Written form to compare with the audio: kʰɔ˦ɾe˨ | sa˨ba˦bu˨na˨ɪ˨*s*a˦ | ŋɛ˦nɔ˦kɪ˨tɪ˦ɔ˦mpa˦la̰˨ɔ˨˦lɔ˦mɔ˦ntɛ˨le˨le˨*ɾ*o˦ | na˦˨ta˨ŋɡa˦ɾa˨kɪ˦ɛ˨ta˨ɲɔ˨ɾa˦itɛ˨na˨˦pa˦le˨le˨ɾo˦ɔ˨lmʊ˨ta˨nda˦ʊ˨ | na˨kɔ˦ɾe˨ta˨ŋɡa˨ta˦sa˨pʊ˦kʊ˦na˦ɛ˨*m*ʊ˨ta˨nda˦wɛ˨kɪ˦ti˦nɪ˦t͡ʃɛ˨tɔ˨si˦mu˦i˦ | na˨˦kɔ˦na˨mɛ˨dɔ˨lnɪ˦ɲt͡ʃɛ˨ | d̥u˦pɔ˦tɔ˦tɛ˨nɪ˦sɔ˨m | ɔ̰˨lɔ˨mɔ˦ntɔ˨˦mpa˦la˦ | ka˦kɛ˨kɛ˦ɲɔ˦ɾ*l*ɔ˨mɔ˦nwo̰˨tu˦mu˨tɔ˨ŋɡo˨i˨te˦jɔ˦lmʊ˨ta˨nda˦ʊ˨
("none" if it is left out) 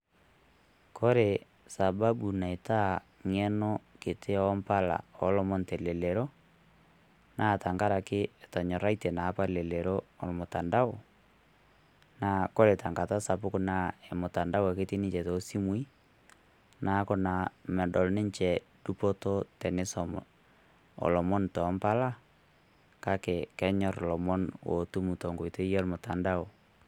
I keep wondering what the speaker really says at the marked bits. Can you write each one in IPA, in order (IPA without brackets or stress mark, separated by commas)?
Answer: t, ɾ, m, l